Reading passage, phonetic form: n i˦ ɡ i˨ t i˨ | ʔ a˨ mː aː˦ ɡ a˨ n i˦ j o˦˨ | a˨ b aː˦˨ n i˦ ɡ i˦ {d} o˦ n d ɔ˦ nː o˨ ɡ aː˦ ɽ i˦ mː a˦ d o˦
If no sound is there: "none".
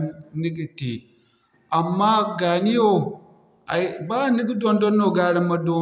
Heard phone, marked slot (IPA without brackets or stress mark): d